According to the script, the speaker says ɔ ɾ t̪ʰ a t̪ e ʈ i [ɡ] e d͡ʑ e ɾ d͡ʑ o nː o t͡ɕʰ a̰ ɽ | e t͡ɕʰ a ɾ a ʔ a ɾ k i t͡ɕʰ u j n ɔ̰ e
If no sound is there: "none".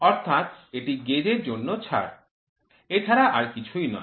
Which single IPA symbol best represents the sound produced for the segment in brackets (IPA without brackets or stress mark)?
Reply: ɡ